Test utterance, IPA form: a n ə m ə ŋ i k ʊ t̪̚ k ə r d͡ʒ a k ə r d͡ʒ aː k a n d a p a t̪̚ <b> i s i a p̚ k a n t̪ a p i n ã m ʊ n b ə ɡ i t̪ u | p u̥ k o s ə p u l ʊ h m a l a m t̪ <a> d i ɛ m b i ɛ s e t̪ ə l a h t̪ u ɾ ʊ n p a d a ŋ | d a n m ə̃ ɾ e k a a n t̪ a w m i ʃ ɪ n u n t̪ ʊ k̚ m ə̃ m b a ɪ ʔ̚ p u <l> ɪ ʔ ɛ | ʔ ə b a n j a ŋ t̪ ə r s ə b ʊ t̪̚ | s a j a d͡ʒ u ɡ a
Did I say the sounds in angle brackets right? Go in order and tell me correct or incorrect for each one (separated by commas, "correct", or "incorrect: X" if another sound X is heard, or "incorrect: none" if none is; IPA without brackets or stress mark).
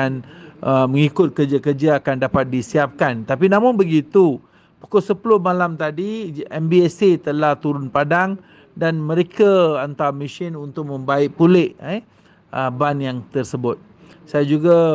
incorrect: d, correct, correct